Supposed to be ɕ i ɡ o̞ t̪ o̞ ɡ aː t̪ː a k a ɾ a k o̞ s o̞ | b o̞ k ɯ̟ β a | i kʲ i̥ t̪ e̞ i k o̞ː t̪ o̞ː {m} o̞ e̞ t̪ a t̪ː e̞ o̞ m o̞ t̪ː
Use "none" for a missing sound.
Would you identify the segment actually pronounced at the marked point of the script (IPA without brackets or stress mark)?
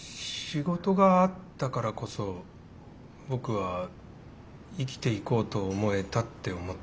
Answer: m